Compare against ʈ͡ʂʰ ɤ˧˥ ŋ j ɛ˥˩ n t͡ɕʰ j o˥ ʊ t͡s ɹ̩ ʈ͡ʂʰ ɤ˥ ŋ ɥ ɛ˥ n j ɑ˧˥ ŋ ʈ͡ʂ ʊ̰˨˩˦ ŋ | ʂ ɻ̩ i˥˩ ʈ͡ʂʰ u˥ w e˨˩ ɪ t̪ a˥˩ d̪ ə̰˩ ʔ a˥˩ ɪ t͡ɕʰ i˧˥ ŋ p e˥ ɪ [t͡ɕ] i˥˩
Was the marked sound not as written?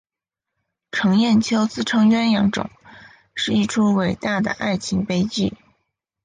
no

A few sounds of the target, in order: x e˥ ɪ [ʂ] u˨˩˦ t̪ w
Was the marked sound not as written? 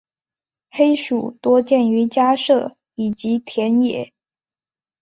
no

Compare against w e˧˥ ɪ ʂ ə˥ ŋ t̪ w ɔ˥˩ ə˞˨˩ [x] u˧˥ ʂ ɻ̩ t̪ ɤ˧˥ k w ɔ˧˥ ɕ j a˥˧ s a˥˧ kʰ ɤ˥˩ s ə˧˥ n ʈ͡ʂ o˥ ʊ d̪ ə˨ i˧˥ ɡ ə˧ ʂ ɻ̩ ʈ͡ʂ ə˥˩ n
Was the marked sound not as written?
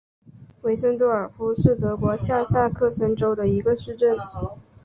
yes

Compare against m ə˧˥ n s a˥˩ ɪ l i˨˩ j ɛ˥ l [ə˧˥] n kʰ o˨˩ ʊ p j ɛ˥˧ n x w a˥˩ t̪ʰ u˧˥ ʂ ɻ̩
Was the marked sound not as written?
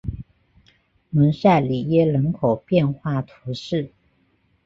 no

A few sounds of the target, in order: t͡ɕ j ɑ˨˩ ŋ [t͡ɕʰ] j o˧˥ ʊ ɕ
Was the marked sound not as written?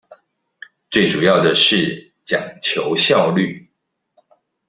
no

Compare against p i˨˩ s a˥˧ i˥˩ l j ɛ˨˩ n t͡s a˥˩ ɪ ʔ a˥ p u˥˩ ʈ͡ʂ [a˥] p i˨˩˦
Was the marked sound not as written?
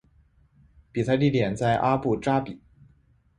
no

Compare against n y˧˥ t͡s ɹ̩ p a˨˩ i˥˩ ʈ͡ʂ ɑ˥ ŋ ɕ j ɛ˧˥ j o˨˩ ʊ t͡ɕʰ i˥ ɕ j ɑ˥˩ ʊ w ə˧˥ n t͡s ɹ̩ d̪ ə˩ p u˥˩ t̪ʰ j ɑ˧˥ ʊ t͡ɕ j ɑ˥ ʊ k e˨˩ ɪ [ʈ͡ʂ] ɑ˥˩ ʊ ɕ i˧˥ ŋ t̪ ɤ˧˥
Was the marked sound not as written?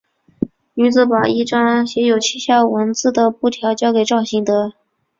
no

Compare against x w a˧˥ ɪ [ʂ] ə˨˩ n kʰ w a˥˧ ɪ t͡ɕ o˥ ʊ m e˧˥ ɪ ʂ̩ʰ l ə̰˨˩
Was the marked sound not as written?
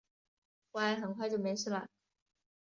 yes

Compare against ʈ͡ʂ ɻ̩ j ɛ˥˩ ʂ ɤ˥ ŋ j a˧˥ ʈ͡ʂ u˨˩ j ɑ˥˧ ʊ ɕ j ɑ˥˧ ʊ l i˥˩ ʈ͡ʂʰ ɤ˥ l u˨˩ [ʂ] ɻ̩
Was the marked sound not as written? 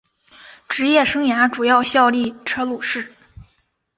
no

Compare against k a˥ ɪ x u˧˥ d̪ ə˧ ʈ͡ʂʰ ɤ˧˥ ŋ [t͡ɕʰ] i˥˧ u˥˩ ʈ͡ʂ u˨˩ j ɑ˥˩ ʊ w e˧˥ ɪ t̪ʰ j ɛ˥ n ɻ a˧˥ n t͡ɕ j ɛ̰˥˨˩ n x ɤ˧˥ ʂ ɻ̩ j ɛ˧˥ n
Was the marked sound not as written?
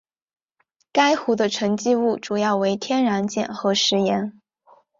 yes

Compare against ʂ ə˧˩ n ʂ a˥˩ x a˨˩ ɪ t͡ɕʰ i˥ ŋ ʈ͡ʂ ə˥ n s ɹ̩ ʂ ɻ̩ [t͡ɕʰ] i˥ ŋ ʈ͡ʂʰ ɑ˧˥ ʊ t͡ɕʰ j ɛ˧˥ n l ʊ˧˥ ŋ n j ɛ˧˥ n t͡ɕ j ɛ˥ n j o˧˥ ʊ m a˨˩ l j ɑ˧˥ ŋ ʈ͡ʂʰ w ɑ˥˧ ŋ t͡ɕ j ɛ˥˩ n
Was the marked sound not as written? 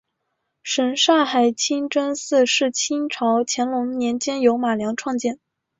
no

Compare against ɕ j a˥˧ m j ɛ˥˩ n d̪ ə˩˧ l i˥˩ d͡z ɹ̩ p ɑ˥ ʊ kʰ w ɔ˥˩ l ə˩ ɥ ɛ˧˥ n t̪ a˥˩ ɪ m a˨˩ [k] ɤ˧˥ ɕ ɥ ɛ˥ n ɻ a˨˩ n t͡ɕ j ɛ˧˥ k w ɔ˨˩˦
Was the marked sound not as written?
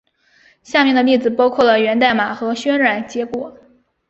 yes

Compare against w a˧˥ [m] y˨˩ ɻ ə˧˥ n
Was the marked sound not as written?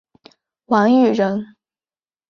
yes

